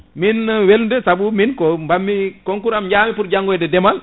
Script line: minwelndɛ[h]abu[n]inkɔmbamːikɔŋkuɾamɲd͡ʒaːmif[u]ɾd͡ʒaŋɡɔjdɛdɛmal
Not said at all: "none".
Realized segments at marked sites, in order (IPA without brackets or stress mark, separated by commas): s, m, u